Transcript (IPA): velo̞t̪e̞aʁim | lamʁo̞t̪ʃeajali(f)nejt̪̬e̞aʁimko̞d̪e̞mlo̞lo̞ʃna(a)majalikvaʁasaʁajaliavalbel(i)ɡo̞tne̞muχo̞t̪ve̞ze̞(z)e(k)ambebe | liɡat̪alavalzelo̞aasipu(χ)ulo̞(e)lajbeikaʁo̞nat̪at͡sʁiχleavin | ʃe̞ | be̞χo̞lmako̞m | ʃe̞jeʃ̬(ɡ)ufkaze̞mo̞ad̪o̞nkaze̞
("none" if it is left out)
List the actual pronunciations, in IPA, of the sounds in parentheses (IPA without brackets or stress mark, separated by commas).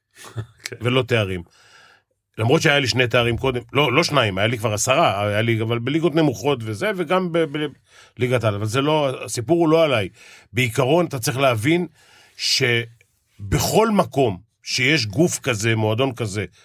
ʃ, i, i, v, ɡ, ʁ, a, ɡ